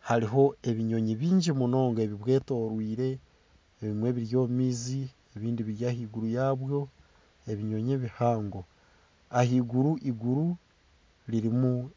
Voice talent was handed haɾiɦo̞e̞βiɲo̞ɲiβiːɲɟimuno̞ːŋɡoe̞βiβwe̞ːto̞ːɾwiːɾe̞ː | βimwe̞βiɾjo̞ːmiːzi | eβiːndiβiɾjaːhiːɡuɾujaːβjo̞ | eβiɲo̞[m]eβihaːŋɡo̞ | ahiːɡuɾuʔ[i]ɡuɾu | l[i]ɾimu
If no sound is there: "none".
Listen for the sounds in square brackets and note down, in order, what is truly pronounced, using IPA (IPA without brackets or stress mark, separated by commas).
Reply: ɲ, i, i